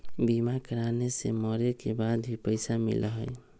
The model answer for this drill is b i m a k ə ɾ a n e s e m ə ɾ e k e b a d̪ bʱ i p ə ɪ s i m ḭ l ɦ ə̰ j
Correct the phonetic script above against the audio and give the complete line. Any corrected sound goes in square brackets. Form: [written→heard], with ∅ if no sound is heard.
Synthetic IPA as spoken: b i m a k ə ɾ a n e s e m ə ɾ e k e b a d̪ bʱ i p ə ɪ s [i→a] m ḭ l ɦ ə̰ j